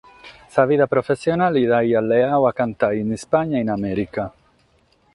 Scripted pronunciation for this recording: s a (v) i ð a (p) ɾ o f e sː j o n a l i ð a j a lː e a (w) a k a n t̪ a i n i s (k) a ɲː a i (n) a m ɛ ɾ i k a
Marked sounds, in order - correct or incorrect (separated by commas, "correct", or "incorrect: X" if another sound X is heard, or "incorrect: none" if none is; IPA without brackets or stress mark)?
correct, correct, correct, incorrect: p, correct